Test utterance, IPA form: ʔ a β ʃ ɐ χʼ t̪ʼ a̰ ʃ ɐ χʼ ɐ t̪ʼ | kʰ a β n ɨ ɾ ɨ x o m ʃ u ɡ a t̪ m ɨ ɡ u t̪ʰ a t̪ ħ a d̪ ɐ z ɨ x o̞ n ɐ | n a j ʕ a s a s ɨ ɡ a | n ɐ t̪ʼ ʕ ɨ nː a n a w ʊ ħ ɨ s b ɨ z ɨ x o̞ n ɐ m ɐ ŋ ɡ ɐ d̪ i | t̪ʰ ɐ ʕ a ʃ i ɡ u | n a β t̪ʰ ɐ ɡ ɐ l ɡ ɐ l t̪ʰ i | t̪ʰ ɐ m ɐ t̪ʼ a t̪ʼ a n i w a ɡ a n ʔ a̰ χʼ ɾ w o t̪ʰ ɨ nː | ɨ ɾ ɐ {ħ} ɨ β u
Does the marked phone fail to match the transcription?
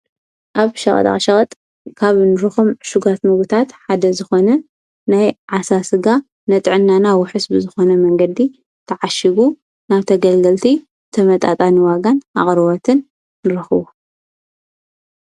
yes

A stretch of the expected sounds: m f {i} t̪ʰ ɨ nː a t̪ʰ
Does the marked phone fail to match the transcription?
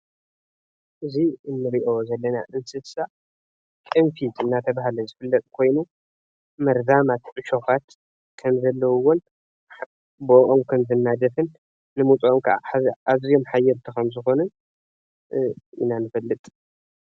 no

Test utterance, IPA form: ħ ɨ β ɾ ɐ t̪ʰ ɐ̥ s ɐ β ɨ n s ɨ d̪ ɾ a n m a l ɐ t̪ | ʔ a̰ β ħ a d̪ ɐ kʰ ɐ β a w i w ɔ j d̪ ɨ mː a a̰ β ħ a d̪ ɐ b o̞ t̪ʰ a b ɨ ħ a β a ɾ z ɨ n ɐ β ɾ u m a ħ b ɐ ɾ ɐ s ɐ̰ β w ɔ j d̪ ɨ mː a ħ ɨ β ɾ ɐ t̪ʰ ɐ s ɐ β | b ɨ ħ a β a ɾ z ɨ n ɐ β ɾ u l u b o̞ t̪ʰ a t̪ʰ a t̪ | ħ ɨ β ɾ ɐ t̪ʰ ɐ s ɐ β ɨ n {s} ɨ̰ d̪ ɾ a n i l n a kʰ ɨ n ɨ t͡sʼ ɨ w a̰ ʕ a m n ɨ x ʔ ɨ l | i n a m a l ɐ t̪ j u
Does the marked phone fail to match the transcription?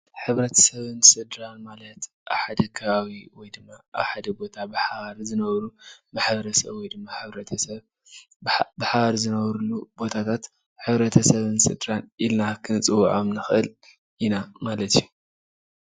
no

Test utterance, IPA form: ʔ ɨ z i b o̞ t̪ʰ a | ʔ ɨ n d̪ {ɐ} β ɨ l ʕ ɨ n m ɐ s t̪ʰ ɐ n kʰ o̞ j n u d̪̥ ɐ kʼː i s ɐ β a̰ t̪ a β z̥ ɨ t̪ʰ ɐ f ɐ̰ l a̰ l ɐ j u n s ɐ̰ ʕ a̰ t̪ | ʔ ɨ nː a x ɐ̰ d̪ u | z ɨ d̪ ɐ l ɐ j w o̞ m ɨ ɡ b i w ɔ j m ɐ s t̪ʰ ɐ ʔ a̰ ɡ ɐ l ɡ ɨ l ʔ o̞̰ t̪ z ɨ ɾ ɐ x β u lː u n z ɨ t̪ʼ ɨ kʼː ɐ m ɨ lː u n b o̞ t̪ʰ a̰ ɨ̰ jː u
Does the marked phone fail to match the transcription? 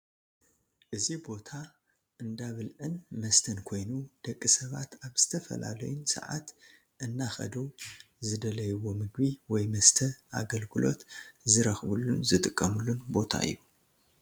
yes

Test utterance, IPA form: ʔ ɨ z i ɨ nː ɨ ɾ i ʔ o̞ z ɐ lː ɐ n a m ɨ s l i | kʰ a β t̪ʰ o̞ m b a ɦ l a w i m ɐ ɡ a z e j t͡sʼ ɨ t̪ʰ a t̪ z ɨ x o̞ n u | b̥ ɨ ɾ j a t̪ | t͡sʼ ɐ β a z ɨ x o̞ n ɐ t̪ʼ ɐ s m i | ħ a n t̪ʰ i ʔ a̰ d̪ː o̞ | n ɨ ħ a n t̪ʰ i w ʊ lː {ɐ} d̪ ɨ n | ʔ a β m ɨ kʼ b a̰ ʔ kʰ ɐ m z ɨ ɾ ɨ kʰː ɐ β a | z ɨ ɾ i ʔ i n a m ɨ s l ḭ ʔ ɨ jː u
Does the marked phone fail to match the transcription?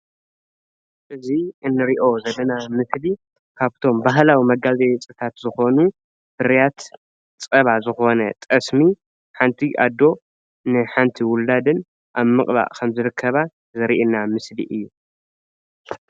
yes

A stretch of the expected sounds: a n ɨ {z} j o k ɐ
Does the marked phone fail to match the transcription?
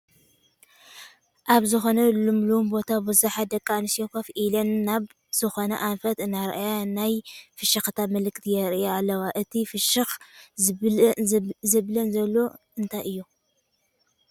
yes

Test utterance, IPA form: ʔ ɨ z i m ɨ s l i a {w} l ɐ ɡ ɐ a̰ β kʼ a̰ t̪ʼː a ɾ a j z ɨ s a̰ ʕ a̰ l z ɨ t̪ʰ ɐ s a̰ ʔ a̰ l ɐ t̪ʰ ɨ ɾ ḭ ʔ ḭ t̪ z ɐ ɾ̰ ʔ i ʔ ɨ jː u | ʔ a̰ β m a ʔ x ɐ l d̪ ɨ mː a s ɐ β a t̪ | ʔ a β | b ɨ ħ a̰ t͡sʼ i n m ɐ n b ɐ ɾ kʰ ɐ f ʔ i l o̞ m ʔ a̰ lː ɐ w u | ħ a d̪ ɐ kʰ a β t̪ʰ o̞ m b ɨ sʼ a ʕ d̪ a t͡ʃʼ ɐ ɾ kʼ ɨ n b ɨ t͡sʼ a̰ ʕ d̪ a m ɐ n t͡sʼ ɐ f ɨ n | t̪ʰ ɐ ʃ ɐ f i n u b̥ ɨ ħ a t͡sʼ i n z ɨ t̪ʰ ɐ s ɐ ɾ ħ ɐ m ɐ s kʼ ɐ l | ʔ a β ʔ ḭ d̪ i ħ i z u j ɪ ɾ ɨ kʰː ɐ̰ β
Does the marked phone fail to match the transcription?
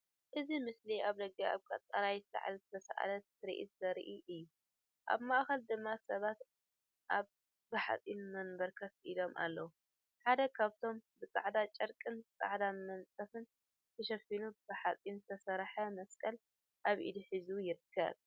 yes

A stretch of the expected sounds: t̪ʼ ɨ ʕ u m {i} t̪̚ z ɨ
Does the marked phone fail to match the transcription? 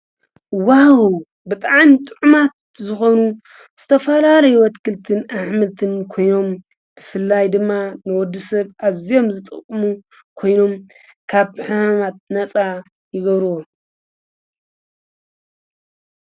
yes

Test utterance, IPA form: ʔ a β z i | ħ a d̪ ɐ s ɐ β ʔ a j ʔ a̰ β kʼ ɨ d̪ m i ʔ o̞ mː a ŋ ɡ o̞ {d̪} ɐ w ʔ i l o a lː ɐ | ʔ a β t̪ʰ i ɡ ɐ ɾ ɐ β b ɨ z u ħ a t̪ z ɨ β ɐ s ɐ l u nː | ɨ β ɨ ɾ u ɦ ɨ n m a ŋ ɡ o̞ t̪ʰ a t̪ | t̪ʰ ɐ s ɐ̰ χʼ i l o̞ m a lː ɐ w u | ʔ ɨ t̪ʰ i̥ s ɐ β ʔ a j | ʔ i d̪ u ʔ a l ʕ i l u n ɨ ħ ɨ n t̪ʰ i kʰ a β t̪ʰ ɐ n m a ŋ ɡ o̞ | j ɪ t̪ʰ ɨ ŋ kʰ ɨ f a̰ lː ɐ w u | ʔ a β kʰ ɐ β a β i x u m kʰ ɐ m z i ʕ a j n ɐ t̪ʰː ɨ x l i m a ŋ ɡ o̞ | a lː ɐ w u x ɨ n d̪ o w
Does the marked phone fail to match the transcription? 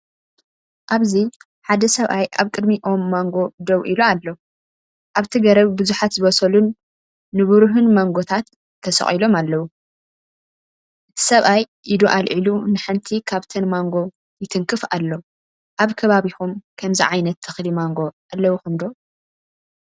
no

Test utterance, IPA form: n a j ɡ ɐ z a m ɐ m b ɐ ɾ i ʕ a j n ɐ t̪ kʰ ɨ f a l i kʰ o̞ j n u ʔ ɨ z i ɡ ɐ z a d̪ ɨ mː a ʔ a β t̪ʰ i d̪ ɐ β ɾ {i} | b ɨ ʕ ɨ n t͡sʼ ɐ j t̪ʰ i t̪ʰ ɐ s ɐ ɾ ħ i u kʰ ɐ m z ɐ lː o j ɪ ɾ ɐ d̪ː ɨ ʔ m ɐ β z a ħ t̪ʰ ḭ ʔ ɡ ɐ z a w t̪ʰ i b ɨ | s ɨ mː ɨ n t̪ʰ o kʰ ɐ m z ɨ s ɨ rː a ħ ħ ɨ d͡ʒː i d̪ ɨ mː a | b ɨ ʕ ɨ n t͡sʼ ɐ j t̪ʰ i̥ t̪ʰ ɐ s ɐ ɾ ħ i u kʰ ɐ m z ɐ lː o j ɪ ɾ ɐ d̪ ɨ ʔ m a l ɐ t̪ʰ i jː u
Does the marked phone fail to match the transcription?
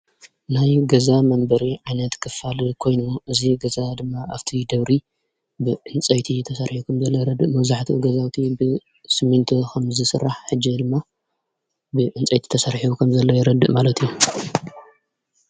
no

